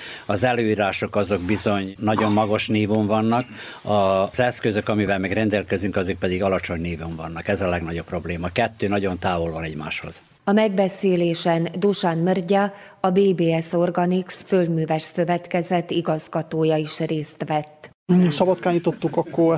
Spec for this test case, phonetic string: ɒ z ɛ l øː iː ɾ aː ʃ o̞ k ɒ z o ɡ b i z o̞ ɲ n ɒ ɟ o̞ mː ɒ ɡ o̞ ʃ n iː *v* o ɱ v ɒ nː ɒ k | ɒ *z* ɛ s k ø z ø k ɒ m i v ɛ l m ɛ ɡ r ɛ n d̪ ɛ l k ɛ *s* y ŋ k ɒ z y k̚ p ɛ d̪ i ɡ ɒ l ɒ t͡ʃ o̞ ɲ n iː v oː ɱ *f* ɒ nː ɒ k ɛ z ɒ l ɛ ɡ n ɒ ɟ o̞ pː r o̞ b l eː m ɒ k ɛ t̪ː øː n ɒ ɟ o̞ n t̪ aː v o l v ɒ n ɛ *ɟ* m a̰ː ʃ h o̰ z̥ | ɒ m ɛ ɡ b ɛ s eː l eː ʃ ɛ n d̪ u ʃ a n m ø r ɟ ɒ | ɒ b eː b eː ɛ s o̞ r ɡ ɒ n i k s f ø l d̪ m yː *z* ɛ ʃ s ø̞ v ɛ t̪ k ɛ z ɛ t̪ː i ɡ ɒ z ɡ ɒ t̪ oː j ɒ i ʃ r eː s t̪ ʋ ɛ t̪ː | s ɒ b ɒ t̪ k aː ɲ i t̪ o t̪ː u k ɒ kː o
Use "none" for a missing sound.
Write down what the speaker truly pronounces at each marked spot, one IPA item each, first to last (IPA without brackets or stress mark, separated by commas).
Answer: v, z, z, v, ɟ, v